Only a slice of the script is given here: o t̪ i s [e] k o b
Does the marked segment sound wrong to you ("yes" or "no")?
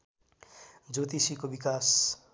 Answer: yes